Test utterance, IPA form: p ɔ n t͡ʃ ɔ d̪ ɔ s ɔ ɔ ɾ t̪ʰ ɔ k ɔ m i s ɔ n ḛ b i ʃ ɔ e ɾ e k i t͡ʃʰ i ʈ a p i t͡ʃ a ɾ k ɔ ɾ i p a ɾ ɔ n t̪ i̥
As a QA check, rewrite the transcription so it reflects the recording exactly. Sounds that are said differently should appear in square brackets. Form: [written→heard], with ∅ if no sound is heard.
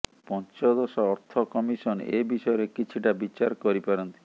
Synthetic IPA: p ɔ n t͡ʃ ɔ d̪ ɔ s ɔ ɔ ɾ t̪ʰ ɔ k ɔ m i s ɔ n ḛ b i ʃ ɔ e ɾ e k i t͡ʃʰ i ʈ a [p→b] i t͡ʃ a ɾ k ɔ ɾ i p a ɾ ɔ n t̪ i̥